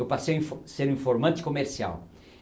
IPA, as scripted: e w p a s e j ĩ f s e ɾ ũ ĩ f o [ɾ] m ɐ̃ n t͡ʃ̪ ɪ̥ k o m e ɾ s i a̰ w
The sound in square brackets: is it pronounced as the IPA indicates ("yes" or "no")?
yes